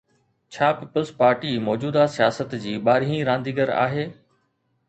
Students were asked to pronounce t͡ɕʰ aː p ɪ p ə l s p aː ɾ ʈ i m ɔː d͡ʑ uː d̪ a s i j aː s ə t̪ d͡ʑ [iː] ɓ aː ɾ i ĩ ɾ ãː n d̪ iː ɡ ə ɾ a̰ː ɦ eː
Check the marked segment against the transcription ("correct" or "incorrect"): correct